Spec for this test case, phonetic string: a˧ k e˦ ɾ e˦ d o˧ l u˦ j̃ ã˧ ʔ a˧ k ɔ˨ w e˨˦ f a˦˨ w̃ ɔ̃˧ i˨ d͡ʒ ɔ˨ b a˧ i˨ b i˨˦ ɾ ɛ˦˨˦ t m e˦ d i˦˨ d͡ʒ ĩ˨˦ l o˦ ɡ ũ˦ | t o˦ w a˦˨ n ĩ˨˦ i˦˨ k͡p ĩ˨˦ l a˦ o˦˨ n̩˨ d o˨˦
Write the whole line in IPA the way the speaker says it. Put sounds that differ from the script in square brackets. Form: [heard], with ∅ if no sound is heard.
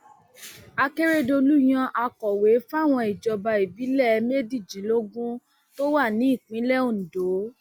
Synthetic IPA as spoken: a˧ k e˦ ɾ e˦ d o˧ l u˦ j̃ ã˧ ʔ a˧ k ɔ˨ w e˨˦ f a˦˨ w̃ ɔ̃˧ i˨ d͡ʒ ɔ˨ b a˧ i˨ b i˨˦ [l] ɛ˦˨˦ [∅] m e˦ d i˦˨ d͡ʒ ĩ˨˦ l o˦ ɡ ũ˦ | t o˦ w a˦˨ n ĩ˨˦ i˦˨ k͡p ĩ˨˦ l [ɛ˦] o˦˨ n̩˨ d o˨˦